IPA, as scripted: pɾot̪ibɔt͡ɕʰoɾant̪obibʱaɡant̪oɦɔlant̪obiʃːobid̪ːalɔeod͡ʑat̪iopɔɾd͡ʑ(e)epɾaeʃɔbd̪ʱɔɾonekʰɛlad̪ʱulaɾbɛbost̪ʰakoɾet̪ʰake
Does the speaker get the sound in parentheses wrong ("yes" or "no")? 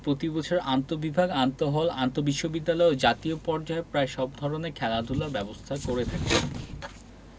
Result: yes